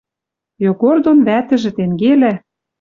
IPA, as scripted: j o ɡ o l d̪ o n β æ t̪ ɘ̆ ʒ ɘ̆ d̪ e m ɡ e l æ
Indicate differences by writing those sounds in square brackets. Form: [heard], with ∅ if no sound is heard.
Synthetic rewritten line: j o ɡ o [r] d̪ o n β æ t̪ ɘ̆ ʒ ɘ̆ [t̪] e [ŋ] ɡ e l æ